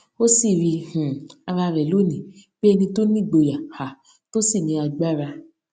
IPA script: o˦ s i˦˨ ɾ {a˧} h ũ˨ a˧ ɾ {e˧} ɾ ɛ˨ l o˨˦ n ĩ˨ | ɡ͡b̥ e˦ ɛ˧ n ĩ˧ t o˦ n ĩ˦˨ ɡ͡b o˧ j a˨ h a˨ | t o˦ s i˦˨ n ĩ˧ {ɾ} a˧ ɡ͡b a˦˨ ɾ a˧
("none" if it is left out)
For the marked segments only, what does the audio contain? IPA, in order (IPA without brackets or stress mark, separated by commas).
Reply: i˧, a˧, none